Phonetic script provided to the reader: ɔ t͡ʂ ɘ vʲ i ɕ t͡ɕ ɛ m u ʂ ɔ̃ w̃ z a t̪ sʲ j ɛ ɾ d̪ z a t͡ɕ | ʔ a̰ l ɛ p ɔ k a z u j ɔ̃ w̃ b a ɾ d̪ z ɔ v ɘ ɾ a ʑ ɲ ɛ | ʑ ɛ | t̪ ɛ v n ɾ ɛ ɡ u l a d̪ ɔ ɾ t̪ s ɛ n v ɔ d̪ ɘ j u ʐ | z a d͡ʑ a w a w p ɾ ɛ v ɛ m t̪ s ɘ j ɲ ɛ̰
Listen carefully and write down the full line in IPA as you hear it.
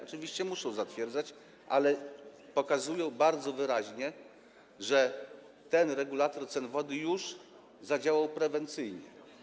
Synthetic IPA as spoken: ɔ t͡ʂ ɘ vʲ i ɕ t͡ɕ ɛ m u ʂ ɔ̃ w̃ z a t̪ fʲ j ɛ ɾ d̪ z a t͡ɕ | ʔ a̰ l ɛ p ɔ k a z u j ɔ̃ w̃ b a ɾ d̪ z ɔ v ɘ ɾ a ʑ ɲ ɛ | ʐ ɛ | t̪ ɛ n ɾ ɛ ɡ u l a t̪ ɔ ɾ t̪ s ɛ n v ɔ d̪ ɘ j u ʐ | z a d͡ʑ a w a w p ɾ ɛ v ɛ n t̪ s ɘ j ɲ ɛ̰

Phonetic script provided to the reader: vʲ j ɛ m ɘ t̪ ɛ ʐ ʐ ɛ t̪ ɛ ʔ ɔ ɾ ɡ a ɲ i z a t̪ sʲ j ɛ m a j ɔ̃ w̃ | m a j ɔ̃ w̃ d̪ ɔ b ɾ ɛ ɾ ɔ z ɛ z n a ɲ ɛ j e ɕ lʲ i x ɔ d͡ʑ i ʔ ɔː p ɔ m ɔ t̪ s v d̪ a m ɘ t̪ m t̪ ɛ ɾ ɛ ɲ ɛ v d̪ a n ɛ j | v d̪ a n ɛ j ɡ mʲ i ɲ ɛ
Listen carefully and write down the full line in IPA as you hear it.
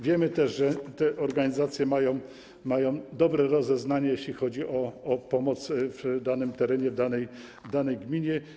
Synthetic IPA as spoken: vʲ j ɛ m ɘ t̪ ɛ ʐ ʐ ɛ t̪ ɛ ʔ ɔ ɾ ɡ a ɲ i z a t̪ sʲ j ɛ m a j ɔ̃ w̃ | m a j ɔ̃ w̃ d̪ ɔ b ɾ ɛ ɾ ɔ z ɛ z n a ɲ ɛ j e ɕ lʲ i x ɔ d͡ʑ i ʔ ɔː p ɔ m ɔ t̪ s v d̪ a n ɘ m t̪ ɛ ɾ ɛ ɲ ɛ v d̪ a n ɛ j | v d̪ a n ɛ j ɡ mʲ i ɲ ɛ

